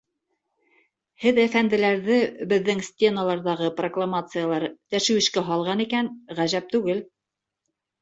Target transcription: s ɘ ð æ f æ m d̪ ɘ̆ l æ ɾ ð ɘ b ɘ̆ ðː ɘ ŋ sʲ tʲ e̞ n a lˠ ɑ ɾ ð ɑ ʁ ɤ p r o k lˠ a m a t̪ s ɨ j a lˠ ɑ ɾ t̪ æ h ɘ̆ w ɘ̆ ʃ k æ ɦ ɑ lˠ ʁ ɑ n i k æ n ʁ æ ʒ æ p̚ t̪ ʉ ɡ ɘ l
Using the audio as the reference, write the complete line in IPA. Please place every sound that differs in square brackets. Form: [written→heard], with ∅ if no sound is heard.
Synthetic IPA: [s→h] ɘ ð æ f æ [m→n] d̪ ɘ̆ l æ ɾ ð ɘ b ɘ̆ ðː ɘ ŋ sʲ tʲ e̞ n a lˠ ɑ ɾ ð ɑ ʁ ɤ p r o k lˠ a m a t̪ s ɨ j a lˠ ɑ ɾ t̪ æ [h→ʃ] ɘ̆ w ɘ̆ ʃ k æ ɦ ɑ lˠ ʁ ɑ n i k æ n ʁ æ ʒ æ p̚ t̪ ʉ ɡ ɘ l